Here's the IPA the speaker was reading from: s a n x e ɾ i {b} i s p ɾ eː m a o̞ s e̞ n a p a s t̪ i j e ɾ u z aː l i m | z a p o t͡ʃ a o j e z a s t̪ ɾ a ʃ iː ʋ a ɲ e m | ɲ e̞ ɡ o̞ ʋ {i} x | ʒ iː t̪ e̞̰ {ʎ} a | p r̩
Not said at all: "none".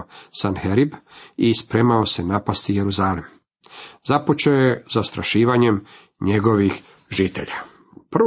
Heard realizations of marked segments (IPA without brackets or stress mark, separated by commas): b, i, ʎ